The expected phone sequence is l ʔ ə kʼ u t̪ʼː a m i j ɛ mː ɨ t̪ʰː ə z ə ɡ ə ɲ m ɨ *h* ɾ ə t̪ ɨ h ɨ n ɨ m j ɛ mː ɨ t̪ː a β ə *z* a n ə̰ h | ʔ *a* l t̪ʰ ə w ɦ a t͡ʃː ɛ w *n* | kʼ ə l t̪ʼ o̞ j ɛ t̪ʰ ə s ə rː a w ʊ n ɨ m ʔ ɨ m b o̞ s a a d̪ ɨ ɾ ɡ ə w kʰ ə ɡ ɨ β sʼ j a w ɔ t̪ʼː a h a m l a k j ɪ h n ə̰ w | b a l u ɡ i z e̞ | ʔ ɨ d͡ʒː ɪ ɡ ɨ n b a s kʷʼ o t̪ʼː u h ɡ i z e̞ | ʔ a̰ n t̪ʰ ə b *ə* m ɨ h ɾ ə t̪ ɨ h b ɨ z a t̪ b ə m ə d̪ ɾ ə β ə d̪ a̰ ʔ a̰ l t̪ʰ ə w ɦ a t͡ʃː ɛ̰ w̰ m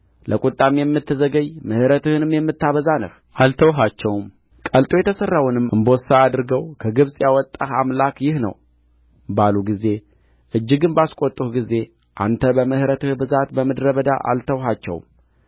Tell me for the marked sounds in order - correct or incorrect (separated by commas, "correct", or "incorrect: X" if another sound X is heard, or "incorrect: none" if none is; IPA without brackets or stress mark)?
correct, correct, correct, incorrect: m, correct